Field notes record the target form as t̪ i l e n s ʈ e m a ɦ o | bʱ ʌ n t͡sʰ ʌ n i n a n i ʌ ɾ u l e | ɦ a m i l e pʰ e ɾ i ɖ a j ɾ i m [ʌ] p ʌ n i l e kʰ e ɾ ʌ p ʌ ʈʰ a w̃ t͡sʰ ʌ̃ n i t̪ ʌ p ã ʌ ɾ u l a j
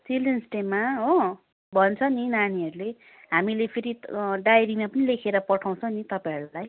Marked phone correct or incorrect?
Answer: incorrect: a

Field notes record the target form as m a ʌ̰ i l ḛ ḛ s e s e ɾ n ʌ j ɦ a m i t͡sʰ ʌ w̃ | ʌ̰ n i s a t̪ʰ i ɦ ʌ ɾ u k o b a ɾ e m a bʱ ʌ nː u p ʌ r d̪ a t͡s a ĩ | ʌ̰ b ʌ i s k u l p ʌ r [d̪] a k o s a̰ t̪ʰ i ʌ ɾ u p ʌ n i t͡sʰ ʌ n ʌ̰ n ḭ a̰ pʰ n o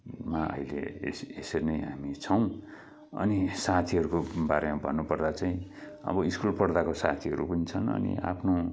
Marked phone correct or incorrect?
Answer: correct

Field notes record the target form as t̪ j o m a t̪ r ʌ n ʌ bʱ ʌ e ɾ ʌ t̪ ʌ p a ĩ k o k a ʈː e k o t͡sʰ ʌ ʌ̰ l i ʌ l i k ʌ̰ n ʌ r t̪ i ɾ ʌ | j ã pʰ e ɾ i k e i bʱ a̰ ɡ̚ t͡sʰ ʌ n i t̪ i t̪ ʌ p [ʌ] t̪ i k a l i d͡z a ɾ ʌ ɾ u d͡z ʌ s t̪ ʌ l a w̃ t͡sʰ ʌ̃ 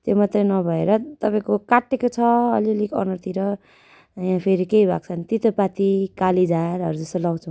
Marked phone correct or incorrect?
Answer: incorrect: a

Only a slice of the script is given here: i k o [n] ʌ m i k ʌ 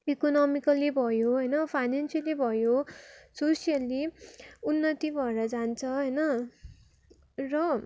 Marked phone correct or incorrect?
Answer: correct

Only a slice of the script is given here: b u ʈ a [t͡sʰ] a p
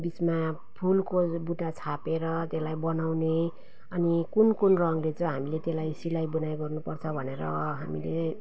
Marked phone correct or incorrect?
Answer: correct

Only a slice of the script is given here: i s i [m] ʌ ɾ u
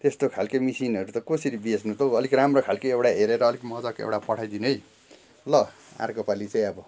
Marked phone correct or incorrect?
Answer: incorrect: n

